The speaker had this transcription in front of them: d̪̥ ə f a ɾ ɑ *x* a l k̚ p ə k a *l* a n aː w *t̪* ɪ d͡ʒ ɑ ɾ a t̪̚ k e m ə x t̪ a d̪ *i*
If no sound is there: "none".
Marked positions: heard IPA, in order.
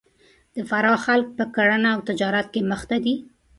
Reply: x, ɽ, t̪, i

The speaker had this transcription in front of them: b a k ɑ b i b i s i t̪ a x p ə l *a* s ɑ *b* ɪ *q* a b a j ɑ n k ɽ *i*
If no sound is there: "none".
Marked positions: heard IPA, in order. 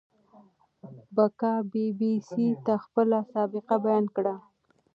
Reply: a, b, q, a

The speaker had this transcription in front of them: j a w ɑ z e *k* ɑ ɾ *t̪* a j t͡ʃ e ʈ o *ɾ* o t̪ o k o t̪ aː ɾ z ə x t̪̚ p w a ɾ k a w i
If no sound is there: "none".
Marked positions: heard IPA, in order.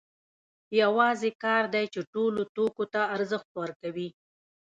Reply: k, d̪, l

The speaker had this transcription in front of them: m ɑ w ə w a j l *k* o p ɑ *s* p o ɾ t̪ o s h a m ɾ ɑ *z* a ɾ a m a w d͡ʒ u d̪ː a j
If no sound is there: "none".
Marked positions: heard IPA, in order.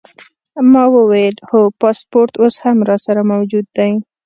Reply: x, s, s

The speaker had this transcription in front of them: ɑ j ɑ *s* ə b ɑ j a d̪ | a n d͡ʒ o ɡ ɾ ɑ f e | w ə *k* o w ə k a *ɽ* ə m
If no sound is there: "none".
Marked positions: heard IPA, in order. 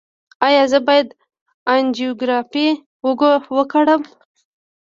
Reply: z, ɡ, ɽ

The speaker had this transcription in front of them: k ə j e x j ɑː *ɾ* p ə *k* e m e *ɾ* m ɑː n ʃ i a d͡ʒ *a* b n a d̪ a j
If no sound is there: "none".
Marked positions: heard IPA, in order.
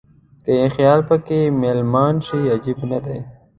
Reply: l, k, l, i

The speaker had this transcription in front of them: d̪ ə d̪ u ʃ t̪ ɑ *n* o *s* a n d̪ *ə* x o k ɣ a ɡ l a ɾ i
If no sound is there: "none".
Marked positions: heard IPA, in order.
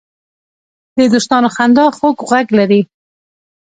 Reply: n, x, ɑ

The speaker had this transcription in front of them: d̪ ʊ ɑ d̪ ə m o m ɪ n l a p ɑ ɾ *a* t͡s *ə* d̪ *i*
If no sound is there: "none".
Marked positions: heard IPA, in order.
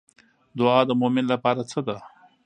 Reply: a, ə, a

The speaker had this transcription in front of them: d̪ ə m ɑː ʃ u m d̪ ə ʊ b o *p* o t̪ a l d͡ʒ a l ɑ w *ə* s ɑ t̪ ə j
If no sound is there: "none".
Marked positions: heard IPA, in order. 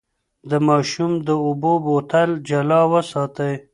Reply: b, ə

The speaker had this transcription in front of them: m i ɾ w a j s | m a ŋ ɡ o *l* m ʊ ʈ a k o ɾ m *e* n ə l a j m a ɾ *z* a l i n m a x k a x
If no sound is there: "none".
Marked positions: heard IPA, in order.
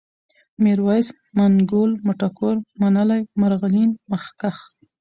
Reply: l, a, ɣ

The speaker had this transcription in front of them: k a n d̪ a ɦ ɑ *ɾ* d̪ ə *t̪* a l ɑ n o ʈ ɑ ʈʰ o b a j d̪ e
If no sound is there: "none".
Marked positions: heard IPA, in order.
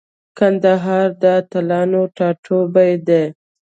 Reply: ɾ, t̪

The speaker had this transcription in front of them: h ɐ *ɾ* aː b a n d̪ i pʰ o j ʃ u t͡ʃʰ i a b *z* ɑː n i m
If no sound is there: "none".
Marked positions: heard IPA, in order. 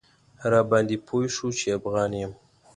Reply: ɾ, ɣ

